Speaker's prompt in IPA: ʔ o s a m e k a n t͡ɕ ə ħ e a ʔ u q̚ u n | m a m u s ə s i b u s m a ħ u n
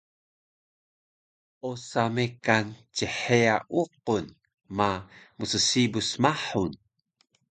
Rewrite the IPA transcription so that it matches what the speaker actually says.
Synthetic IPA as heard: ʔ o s a m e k a n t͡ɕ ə ħ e a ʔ u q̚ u n | m a m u s ə s i b u s m a ħ u n

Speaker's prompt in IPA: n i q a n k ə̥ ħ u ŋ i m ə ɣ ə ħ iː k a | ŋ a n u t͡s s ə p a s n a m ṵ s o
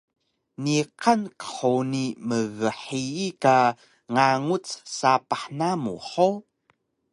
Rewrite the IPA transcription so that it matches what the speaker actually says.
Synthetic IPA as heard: n i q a n k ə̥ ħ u n i m ə ɣ ə ħ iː k a | ŋ a ŋ u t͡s s a p a ħ n a m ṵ ħ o

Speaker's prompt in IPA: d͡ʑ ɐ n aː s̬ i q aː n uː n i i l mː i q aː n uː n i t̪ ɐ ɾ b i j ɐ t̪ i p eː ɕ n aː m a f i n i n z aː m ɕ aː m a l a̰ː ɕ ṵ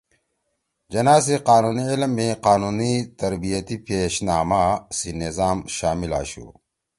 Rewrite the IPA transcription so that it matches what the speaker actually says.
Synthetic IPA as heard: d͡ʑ ɐ n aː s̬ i q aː n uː n i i l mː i q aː n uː n i t̪ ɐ ɾ b i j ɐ t̪ i p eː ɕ n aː m a s i n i z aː m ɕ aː m i l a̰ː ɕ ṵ

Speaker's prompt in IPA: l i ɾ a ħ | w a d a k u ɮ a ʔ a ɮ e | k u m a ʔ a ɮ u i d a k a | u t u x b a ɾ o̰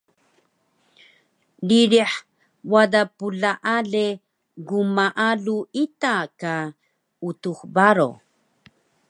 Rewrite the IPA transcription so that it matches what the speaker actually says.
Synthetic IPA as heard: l i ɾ i ħ | w a d a p u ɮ a ʔ a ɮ e | ɡ u m a ʔ a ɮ u i t a k a | u t u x b a ɾ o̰

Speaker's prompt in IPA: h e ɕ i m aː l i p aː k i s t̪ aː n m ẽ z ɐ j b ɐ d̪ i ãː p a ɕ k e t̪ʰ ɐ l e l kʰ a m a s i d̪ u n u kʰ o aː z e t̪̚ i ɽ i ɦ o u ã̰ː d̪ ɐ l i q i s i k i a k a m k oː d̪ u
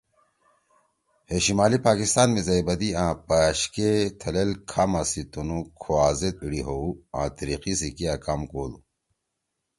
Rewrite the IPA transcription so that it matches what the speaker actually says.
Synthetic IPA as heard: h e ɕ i m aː l i p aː k i s t̪ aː n m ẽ z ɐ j b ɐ d̪ i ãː p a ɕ k e t̪ʰ ɐ l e l kʰ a m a s i t̪ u n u kʰ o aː z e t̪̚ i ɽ i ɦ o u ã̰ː t̪ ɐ ɾ i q i s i k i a k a m k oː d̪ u

